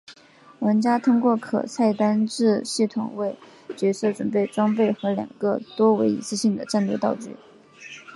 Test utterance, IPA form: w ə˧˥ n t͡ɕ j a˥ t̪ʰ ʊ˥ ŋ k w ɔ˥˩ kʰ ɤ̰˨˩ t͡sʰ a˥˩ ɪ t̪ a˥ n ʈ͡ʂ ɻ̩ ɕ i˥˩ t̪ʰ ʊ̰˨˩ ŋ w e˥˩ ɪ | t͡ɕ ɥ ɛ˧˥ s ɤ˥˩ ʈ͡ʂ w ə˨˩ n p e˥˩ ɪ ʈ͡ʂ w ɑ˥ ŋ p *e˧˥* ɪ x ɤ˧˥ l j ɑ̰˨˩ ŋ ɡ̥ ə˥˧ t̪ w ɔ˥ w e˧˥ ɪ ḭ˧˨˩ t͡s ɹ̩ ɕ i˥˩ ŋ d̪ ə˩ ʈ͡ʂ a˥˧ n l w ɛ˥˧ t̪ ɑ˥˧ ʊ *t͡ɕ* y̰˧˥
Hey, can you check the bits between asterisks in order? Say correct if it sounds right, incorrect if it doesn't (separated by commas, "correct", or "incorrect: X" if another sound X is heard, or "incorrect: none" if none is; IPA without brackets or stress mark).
incorrect: e˥˩, correct